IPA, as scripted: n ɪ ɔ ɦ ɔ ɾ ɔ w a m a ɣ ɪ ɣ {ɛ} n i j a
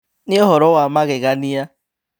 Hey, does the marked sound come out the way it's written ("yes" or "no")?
no